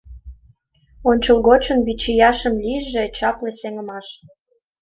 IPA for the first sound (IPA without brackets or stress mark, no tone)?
o